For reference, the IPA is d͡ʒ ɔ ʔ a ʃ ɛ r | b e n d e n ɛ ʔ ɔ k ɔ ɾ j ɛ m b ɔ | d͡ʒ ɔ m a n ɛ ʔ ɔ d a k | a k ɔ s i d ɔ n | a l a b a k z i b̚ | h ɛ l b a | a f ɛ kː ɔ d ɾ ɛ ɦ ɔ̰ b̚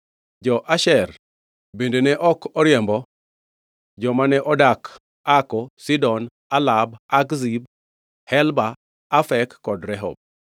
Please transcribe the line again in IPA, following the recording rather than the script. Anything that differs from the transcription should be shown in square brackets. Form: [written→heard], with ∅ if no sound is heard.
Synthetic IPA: d͡ʒ ɔ ʔ a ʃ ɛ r | b e n d e n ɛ ʔ ɔ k ɔ ɾ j ɛ m b ɔ | d͡ʒ ɔ m a n ɛ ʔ ɔ d a k | a k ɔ s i d ɔ n | a l a b a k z i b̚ | h ɛ l b a | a f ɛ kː ɔ d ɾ ɛ ɦ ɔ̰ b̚